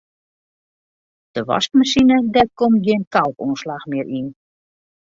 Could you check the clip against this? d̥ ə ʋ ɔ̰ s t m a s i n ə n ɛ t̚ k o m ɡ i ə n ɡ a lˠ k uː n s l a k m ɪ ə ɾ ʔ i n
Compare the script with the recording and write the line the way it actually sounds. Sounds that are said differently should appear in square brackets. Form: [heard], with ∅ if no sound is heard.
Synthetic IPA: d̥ ə ʋ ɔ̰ s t m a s i n ə [d] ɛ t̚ k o m ɡ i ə n [k] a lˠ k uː n s l a [x] m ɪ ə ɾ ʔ i n